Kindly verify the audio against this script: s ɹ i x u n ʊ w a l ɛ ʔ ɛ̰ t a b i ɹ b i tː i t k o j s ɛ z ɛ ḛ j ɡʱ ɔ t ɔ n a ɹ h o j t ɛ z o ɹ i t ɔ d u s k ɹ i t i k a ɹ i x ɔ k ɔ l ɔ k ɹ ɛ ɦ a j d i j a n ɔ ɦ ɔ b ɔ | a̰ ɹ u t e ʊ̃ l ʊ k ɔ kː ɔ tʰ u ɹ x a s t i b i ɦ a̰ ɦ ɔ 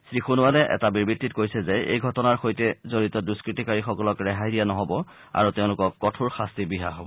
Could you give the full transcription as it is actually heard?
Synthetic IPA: s ɹ i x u n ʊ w a l ɛ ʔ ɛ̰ t a b i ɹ b i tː i t k o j s ɛ z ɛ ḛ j ɡʱ ɔ t ɔ n a ɹ x o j t ɛ z o ɹ i t ɔ d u s k ɹ i t i k a ɹ i x ɔ k ɔ l ɔ k ɹ ɛ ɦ a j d i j a n ɔ ɦ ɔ b ɔ | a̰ ɹ u t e ʊ̃ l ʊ k ɔ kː ɔ tʰ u ɹ x a s t i b i ɦ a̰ ɦ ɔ

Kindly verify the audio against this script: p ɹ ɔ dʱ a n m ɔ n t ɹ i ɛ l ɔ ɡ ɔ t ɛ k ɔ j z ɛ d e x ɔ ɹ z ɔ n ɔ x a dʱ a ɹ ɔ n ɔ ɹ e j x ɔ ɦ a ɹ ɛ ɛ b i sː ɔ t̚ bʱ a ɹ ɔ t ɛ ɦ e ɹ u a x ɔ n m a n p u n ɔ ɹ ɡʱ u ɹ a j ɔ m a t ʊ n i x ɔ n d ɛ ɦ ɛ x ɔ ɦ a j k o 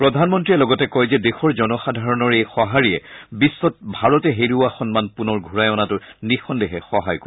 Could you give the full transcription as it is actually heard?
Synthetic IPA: p ɹ ɔ dʱ a n m ɔ n t ɹ i ɛ l ɔ ɡ ɔ t ɛ k ɔ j z ɛ d e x ɔ ɹ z ɔ n ɔ x a dʱ a ɹ ɔ n ɔ ɹ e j x ɔ ɦ a ɹ i ɛ b i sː ɔ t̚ bʱ a ɹ ɔ t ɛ ɦ e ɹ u a x ɔ n m a n p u n ɔ ɹ ɡʱ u ɹ a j ɔ n a t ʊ n i x ɔ n d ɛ ɦ ɛ x ɔ ɦ a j k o

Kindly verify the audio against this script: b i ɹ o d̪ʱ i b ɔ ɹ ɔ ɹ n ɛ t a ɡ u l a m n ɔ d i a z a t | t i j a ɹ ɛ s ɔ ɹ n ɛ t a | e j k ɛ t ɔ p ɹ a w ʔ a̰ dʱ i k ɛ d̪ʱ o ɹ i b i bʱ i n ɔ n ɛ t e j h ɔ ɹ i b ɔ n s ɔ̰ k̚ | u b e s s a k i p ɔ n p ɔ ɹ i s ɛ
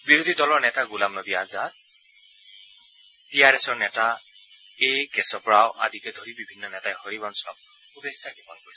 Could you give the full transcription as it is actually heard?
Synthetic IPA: b i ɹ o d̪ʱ i d ɔ l ɔ ɹ n ɛ t a ɡ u l a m n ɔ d i a z a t | t i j a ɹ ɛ s ɔ ɹ n ɛ t a | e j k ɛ s ɔ p ɹ a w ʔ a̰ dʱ i k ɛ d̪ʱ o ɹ i b i bʱ i nː ɔ n ɛ t a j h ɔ ɹ i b ɔ n s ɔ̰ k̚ | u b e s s a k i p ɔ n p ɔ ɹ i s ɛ

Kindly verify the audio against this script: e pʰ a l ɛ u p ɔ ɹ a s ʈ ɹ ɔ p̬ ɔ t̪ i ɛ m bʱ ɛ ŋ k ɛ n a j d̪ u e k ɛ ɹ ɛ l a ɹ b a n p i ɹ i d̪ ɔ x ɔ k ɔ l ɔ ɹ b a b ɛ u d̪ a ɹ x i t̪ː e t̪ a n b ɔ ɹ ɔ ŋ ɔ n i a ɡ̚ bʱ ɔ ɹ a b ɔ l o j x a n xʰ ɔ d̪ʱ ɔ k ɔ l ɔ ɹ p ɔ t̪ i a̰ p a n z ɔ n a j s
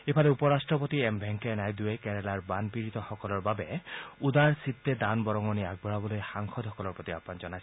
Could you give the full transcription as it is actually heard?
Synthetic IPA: e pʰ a l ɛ u p ɔ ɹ a s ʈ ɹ ɔ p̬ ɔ t̪ i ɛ m bʱ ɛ ŋ k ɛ n a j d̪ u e k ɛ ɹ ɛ l a ɹ b a n p i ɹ i t̪ ɔ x ɔ k ɔ l ɔ ɹ b a b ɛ u d̪ a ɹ s i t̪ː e d̪ a n b ɔ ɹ ɔ ŋ ɔ n i a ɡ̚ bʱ ɔ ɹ a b ɔ l o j x a ŋ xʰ ɔ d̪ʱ ɔ k ɔ l ɔ ɹ p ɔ t̪ i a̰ p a n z ɔ n a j s

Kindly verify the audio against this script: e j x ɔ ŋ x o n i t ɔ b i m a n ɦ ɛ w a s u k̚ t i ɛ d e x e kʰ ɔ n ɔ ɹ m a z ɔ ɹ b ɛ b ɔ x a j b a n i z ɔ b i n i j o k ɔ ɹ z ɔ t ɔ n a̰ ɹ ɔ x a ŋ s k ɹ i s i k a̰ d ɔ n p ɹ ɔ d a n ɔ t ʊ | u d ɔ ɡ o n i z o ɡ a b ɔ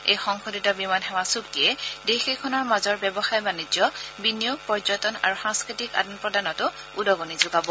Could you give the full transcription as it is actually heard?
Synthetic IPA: e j x ɔ ŋ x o d i t ɔ b i m a n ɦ ɛ w a s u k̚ t i ɛ d e x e kʰ ɔ n ɔ ɹ m a z ɔ ɹ b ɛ b ɔ x a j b a n i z ɔ b i n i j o p ɔ ɹ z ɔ t ɔ n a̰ ɹ u x a ŋ s k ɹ i t i k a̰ d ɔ n p ɹ ɔ d a n ɔ t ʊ | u d ɔ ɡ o n i z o ɡ a b ɔ

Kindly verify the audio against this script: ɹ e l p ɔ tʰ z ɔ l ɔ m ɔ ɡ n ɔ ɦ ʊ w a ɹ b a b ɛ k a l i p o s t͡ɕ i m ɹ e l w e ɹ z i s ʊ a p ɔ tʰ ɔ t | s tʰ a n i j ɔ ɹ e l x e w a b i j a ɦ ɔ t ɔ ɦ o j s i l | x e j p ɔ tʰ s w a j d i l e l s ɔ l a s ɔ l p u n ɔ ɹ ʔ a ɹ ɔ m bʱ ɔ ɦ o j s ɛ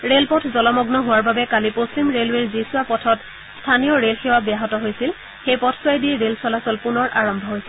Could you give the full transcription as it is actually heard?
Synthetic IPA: ɹ e l p ɔ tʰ z ɔ l ɔ m ɔ ɡ n ɔ ɦ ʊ w a ɹ b a b ɛ k a l i p o s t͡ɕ i m ɹ e l w e ɹ z i s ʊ a p ɔ tʰ ɔ t | s tʰ a n i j ɔ ɹ e l x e w a b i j a ɦ ɔ t ɔ ɦ o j s i l | x e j p ɔ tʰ s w a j d i ɹ e l s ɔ l a s ɔ l p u n ɔ ɹ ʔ a ɹ ɔ m bʱ ɔ ɦ o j s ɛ

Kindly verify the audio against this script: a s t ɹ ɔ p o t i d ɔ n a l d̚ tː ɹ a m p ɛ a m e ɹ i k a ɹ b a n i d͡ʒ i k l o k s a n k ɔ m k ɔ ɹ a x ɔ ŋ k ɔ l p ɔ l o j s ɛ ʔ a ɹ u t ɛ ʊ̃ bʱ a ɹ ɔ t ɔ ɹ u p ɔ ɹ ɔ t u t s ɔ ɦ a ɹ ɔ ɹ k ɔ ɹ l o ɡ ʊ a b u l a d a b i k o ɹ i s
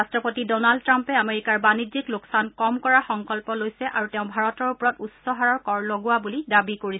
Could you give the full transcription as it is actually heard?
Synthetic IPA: a s t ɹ ɔ p o t i d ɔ n a l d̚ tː ɹ a m p ɛ a m e ɹ i k a ɹ b a n i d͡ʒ i k l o k s a n k ɔ m k ɔ ɹ a x ɔ ŋ k ɔ l p ɔ l o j s ɛ ʔ a ɹ u t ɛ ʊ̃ bʱ a ɹ ɔ t ɔ ɹ u p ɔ ɹ ɔ t u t s ɔ ɦ a ɹ ɔ ɹ k ɔ ɹ l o ɡ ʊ a b u l i d a b i k o ɹ i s

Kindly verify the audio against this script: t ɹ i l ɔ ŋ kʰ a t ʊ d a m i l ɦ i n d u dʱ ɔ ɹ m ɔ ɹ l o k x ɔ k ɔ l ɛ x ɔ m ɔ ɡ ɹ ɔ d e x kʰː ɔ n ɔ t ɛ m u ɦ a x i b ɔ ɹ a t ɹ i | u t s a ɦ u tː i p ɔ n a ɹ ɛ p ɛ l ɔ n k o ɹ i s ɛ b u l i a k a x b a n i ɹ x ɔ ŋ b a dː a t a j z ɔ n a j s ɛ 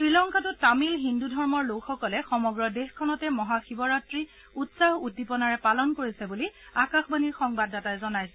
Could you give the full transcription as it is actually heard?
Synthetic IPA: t ɹ i l ɔ ŋ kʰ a t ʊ t a m i l ɦ i n d u dʱ ɔ ɹ m ɔ ɹ l o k x ɔ k ɔ l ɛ x ɔ m ɔ ɡ ɹ ɔ d e x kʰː ɔ n ɔ t ɛ m ɔ ɦ a x i b ɔ ɹ a t ɹ i | u t s a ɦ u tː i p ɔ n a ɹ ɛ p a l ɔ n k o ɹ i s ɛ b u l i a k a x b a n i ɹ x ɔ ŋ b a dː a t a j z ɔ n a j s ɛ

